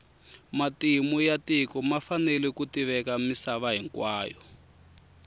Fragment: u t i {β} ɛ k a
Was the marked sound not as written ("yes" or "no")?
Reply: no